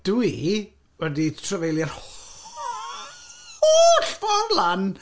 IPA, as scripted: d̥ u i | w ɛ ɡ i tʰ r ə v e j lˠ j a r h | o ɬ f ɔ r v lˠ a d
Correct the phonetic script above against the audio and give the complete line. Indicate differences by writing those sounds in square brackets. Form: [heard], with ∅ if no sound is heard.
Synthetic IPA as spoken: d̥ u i | w ɛ [d] i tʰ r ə v e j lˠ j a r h | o ɬ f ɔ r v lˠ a [n]